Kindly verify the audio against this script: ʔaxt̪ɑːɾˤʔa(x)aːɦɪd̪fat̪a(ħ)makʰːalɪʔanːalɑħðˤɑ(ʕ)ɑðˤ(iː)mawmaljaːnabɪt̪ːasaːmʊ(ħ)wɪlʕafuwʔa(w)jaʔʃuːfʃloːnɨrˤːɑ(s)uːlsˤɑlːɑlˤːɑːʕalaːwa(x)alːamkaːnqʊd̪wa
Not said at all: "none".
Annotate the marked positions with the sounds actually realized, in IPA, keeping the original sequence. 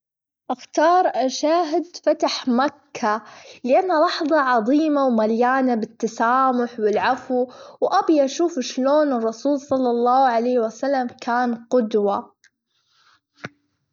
ʃ, ħ, ʕ, iː, ħ, b, s, s

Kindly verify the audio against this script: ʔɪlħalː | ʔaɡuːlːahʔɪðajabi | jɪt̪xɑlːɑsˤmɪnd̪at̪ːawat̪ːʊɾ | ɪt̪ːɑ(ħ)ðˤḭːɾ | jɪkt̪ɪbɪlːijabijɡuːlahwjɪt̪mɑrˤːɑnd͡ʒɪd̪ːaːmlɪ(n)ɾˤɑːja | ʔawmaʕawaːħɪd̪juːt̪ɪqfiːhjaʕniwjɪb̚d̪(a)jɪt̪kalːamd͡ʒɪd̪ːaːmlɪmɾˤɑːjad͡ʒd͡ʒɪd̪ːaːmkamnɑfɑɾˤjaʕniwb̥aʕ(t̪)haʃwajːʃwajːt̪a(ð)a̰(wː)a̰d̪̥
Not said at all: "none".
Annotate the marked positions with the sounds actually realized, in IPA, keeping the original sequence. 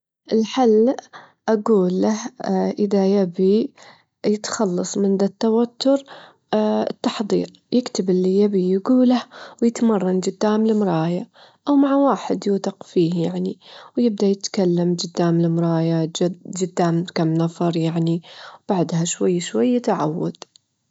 ħ, m, a, d̪, ʕ, wː

